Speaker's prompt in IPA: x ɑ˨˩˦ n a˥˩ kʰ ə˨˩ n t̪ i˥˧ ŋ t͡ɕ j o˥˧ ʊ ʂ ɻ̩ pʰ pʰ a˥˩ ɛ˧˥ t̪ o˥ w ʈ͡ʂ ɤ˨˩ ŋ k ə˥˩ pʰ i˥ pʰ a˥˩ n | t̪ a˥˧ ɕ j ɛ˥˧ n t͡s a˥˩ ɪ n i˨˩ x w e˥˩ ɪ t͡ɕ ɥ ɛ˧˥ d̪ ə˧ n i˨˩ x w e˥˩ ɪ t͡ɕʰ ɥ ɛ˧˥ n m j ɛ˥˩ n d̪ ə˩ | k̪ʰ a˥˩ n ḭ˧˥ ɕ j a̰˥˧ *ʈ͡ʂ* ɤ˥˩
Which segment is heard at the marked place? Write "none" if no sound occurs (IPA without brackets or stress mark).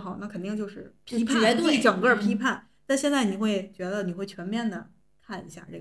ʈ͡ʂ